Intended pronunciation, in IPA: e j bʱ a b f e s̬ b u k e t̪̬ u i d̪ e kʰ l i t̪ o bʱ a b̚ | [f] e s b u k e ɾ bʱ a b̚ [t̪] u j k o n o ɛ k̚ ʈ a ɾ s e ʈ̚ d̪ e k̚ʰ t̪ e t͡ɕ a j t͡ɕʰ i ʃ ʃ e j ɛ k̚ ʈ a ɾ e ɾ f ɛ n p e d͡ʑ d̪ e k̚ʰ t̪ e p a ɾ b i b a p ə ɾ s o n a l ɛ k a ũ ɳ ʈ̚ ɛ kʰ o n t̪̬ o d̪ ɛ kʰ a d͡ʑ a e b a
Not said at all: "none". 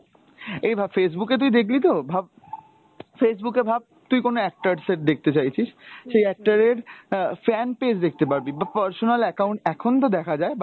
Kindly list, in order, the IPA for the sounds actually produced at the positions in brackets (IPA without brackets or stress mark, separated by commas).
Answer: f, t̪